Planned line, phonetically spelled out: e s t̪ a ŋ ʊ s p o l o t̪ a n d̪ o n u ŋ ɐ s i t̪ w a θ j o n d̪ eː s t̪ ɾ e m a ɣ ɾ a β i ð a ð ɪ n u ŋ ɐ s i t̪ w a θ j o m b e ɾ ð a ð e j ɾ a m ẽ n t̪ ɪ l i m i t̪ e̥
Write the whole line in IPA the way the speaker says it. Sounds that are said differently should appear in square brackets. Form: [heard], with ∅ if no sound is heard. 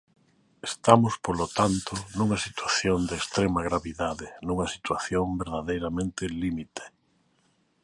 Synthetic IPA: e s t̪ a [m] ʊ s p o l o t̪ a n [t̪] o n u ŋ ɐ s i t̪ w a θ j o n d̪ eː s t̪ ɾ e m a ɣ ɾ a β i ð a ð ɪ n u ŋ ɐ s i t̪ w a θ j o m b e ɾ ð a ð e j ɾ a m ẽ n t̪ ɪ l i m i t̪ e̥